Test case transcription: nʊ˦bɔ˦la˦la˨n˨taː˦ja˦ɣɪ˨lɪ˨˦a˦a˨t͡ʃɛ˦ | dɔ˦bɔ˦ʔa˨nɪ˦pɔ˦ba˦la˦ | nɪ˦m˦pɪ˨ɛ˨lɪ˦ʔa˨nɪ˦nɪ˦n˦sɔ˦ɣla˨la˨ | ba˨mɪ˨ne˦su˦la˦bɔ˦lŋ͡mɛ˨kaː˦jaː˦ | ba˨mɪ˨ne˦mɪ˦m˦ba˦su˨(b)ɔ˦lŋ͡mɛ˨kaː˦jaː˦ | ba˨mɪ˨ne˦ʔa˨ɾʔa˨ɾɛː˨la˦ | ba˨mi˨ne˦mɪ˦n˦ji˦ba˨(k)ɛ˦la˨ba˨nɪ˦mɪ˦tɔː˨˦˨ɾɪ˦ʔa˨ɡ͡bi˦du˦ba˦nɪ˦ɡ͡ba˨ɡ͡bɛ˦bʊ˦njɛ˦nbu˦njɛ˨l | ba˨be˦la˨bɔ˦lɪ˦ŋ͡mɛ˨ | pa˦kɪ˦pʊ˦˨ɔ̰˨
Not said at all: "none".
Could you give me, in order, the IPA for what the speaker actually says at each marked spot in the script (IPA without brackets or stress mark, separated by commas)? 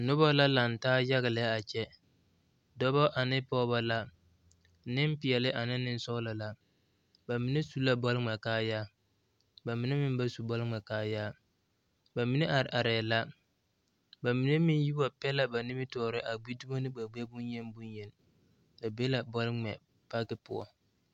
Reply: b, p